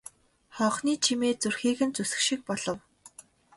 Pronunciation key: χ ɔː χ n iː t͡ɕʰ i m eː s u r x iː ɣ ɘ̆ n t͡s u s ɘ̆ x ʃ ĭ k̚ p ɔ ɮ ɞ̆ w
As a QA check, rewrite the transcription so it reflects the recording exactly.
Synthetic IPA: χ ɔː χ n iː t͡ɕʰ i m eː t͡s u r x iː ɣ ɘ̆ n t͡s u s ɘ̆ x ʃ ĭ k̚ p ɔ ɮ ɞ̆ w